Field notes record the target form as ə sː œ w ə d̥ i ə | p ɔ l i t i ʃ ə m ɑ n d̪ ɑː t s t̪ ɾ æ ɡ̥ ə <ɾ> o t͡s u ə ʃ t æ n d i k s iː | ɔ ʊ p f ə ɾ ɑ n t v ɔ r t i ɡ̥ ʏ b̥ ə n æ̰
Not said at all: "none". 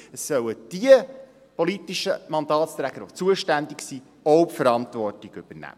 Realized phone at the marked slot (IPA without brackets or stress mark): ɾ